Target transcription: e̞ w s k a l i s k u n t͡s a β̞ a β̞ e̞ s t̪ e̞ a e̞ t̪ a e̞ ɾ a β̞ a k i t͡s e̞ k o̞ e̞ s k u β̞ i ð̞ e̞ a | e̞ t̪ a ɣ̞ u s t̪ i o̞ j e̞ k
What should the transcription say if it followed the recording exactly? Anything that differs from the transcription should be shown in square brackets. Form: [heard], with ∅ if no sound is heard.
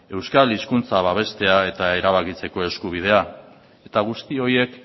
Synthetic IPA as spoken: e̞ w s k a l i s k u n t͡s a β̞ a β̞ e̞ s t̪ e̞ a e̞ t̪ a e̞ ɾ a β̞ a k i t͡s e̞ k o̞ e̞ s k u β̞ i ð̞ e̞ a | e̞ t̪ a ɣ̞ u s t̪ i o̞ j e̞ k